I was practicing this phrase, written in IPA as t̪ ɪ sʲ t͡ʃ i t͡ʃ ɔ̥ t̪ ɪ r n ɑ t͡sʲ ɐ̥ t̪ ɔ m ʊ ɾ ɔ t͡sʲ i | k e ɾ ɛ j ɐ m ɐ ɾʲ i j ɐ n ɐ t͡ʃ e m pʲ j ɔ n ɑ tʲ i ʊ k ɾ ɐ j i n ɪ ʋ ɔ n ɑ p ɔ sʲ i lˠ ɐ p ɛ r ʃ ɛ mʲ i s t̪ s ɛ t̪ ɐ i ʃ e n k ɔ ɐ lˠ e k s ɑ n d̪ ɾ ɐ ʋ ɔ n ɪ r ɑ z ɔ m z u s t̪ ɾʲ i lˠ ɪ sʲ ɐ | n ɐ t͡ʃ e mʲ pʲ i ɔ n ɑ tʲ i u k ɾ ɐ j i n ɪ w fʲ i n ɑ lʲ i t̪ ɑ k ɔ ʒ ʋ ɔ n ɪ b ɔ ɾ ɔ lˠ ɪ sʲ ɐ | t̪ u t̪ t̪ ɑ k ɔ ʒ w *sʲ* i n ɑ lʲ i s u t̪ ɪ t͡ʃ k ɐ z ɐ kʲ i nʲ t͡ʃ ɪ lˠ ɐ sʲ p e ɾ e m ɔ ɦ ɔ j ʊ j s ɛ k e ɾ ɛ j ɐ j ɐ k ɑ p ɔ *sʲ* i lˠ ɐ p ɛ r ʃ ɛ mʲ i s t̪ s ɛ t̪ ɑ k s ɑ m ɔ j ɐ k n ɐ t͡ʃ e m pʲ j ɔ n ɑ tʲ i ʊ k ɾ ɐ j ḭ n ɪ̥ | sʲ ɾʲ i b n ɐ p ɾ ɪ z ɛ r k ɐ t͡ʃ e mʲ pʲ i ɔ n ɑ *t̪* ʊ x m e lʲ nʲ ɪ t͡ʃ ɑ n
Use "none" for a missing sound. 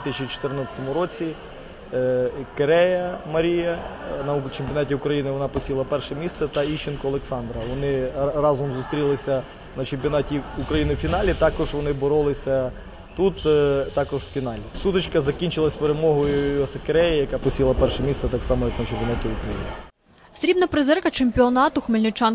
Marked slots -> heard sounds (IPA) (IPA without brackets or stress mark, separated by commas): fʲ, sʲ, t̪